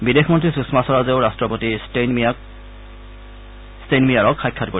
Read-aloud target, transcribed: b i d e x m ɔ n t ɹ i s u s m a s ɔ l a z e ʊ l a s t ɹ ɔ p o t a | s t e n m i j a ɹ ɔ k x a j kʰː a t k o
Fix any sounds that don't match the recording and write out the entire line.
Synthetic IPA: b i d e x m ɔ n t ɹ i s u s m a s ɔ ɹ a z e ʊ ɹ a s t ɹ ɔ p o t i | s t e n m i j a ɹ ɔ k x a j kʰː a t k o